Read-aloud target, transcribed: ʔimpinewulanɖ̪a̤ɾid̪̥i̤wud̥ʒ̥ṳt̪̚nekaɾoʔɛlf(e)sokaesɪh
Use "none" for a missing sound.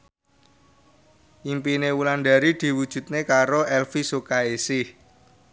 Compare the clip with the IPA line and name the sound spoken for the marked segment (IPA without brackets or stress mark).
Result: i